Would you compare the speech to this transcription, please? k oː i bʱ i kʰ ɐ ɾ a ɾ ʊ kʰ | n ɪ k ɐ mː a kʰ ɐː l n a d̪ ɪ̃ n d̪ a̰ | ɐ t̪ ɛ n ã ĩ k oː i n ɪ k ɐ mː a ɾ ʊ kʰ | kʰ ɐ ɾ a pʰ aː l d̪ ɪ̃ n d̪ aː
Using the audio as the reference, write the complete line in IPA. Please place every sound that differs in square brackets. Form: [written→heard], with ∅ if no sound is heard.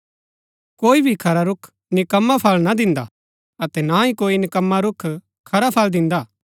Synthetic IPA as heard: k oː i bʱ i kʰ ɐ ɾ a ɾ ʊ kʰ | n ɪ k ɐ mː a [kʰ→pʰ] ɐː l n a d̪ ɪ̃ n d̪ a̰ | ɐ t̪ ɛ n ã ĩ k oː i n ɪ k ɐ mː a ɾ ʊ kʰ | kʰ ɐ ɾ a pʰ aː l d̪ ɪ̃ n d̪ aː